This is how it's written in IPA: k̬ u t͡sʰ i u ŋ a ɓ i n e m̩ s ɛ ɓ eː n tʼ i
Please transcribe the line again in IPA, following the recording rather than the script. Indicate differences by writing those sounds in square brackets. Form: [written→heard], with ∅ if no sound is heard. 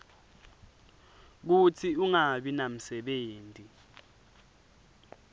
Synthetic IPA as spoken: k̬ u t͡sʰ i u ŋ a ɓ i n [e→a] m̩ s ɛ ɓ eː n tʼ i